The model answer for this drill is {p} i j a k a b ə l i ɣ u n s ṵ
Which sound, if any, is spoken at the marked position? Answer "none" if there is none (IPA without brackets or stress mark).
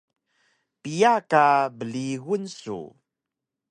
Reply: p